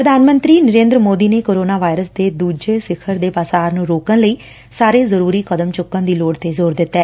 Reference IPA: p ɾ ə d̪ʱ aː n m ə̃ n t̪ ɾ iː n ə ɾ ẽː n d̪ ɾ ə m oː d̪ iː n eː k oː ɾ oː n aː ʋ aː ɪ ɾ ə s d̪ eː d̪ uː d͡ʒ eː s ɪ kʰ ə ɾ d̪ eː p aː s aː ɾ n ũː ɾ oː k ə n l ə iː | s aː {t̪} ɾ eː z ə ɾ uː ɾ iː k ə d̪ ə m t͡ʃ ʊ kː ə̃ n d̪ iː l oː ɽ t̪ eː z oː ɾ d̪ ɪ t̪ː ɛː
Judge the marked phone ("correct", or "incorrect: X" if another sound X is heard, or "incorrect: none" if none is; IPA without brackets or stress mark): incorrect: none